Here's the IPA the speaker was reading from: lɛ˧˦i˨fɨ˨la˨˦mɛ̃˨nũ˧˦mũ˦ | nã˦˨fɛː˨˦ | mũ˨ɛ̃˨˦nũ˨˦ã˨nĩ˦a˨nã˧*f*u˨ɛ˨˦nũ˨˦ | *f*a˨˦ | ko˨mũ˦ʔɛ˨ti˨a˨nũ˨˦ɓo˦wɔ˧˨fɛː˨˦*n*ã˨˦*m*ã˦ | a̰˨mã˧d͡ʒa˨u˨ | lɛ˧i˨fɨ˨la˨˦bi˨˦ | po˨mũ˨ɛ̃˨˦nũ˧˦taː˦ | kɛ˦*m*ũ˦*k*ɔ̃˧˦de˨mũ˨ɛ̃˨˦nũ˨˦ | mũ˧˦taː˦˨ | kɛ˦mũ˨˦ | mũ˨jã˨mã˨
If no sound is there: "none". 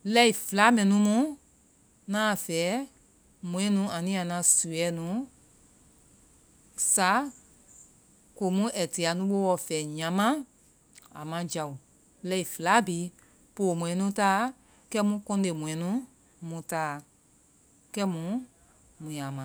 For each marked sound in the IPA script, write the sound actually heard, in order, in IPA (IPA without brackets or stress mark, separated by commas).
s, s, ɲ, m, m, k